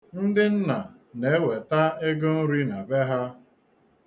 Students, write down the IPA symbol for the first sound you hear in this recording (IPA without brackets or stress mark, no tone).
n̩